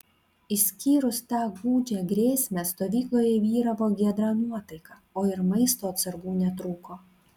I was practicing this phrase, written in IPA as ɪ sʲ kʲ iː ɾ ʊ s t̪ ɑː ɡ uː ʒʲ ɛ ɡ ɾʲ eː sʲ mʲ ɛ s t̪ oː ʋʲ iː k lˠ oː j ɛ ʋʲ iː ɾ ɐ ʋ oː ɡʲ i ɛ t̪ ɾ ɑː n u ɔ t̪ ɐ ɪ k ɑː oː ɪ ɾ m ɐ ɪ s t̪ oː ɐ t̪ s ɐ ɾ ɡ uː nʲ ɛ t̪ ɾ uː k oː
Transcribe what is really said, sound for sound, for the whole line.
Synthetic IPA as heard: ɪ sʲ kʲ iː ɾ ʊ s t̪ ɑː ɡ uː d͡ʒʲ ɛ ɡ ɾʲ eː sʲ mʲ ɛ s t̪ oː ʋʲ iː k lˠ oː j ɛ ʋʲ iː ɾ ɐ ʋ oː ɡʲ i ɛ d̪ ɾ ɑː n u ɔ t̪ ɐ ɪ k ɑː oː ɪ ɾ m ɐ ɪ s t̪ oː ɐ t̪ s ɐ ɾ ɡ uː nʲ ɛ t̪ ɾ uː k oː